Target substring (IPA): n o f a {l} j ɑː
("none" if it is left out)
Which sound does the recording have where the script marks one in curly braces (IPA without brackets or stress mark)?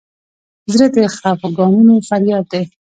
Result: ɾ